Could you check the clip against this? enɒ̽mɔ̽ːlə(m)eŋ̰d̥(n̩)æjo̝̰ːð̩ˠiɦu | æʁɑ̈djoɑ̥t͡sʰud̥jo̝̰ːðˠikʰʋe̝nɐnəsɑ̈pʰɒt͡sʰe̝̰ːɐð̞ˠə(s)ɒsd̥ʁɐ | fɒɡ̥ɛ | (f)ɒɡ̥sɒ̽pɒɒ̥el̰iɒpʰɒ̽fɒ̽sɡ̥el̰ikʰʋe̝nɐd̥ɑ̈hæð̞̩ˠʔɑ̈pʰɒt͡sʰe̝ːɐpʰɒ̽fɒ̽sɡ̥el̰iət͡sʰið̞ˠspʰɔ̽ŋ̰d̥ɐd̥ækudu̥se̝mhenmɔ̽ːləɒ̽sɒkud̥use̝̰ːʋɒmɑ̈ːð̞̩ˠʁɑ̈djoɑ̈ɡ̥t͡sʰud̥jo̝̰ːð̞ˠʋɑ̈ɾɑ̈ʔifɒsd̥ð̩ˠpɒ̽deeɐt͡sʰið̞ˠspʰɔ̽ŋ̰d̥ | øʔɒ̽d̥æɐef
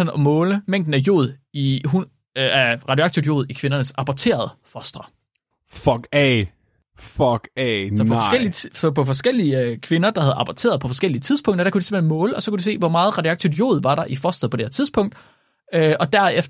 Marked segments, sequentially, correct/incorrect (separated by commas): correct, correct, incorrect, correct